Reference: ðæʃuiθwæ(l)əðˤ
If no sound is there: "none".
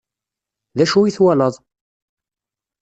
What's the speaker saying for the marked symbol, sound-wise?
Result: l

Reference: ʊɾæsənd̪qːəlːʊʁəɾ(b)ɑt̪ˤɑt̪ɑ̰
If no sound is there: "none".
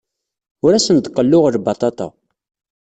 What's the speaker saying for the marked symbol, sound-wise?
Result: b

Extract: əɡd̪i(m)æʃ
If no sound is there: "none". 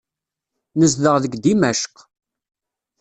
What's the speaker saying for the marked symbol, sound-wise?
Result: m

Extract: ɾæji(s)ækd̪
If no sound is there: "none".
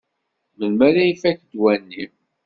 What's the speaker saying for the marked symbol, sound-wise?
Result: f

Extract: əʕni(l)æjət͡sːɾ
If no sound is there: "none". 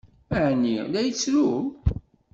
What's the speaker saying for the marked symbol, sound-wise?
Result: l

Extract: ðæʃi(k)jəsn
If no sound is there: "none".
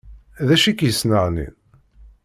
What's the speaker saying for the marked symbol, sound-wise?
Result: k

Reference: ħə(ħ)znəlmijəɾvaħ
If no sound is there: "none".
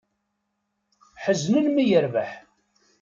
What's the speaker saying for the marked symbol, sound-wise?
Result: none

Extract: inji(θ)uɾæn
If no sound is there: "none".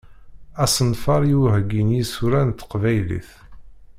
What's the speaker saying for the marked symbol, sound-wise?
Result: s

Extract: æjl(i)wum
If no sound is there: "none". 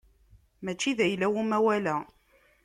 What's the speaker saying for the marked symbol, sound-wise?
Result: æ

